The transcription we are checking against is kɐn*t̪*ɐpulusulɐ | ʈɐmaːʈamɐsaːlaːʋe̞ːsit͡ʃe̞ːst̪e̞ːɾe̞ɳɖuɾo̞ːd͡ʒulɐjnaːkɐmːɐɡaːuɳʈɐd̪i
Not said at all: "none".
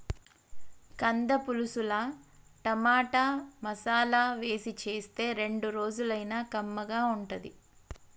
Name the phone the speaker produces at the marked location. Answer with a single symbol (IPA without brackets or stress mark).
d̪